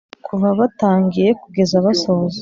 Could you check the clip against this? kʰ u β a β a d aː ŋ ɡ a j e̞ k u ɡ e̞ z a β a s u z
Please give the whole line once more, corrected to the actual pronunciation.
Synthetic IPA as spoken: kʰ u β a β a t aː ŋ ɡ i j e̞ k u ɡ e̞ z a β a s o z